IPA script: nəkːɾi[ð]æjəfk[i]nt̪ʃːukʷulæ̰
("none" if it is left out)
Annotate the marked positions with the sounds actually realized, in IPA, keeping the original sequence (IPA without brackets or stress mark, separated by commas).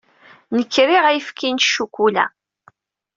ʁ, i